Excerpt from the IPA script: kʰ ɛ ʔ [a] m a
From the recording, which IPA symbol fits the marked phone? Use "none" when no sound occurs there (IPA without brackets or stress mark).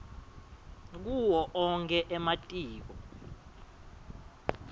ɛ